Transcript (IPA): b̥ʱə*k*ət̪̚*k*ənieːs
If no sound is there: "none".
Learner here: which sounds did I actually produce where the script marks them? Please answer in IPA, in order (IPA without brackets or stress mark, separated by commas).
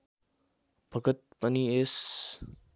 ɡ, p